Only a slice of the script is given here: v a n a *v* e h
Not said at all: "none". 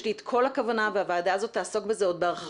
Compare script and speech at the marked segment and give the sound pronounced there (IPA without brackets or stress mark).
v